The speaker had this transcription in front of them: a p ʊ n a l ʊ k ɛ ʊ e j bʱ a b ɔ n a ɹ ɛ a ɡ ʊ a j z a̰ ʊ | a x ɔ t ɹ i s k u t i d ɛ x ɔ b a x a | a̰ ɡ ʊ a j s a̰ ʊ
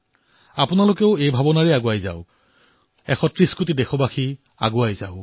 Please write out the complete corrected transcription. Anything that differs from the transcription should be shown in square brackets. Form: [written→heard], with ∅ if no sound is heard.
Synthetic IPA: a p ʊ n a l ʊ k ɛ ʊ e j bʱ a b ɔ n a ɹ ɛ a ɡ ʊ a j z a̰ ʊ | [a→ɛ] x ɔ t ɹ i s k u t i d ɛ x ɔ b a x [a→i] | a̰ ɡ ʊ a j [s→z] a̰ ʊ